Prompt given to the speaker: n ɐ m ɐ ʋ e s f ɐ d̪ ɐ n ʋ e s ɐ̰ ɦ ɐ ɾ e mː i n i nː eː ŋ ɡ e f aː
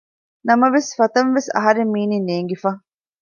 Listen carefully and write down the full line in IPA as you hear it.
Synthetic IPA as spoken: n ɐ m ɐ ʋ e s f ɐ t̪ ɐ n ʋ e s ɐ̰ ɦ ɐ ɾ e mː iː n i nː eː ŋ ɡ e f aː